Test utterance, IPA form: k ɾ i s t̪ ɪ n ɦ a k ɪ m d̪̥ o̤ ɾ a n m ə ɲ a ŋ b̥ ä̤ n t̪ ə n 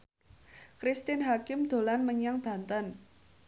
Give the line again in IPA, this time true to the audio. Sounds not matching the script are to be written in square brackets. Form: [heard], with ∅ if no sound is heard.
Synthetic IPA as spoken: k ɾ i s t̪ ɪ n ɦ a k ɪ m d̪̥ o̤ [l] a n m ə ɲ a ŋ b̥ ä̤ n t̪ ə n